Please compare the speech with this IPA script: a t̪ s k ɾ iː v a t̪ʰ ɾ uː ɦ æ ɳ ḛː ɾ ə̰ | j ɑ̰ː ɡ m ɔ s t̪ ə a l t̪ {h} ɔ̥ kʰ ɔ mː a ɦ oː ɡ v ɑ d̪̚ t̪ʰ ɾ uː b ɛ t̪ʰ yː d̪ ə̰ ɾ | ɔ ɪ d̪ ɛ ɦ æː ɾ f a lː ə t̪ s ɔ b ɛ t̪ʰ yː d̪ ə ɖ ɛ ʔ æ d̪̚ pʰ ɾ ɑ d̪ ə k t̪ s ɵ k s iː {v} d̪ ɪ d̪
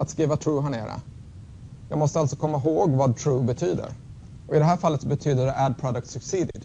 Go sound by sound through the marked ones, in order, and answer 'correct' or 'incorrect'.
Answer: incorrect: s, incorrect: none

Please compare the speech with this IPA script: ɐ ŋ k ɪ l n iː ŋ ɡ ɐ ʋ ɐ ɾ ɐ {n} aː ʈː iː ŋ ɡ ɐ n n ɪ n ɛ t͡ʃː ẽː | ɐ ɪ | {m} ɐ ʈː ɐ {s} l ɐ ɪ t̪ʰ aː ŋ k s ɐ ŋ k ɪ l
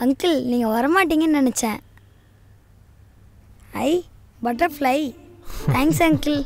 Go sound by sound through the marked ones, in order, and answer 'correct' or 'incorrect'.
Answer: incorrect: m, incorrect: b, incorrect: f

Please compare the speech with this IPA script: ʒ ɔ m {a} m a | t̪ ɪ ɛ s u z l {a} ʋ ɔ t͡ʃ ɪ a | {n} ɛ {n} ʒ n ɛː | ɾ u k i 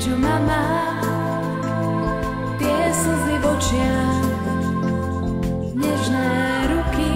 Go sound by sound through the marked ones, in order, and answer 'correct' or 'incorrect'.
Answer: correct, incorrect: i, incorrect: ɲ, incorrect: none

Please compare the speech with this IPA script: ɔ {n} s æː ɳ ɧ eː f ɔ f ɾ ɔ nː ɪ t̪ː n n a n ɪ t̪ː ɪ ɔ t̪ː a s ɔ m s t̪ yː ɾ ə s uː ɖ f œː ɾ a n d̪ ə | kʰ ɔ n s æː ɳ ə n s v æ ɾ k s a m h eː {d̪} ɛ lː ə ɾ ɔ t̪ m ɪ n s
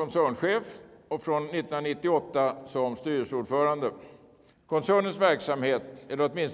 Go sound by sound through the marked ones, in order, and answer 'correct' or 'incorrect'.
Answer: correct, incorrect: t̪

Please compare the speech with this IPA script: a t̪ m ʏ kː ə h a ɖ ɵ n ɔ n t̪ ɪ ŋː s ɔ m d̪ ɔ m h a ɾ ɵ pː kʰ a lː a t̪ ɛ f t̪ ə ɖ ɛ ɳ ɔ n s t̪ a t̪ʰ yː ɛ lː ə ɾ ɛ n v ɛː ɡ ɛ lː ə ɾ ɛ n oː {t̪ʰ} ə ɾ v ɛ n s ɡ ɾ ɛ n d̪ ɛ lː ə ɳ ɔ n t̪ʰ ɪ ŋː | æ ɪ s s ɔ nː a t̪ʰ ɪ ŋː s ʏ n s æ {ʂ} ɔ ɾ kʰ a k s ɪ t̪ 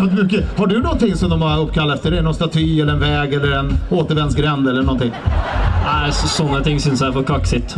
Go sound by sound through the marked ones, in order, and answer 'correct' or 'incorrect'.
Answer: incorrect: t̪, incorrect: f

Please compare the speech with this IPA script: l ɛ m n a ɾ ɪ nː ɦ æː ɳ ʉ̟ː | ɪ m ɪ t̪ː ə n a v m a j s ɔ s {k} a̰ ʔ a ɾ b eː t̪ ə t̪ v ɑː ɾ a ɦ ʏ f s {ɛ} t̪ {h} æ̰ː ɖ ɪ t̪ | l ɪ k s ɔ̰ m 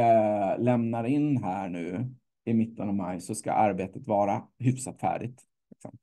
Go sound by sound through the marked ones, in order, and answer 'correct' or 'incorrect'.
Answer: correct, incorrect: a, incorrect: f

